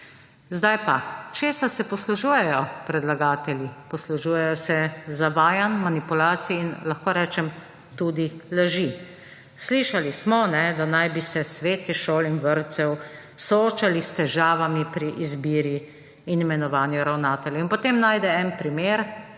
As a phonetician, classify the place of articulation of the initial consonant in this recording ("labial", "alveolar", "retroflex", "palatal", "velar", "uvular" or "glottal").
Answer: alveolar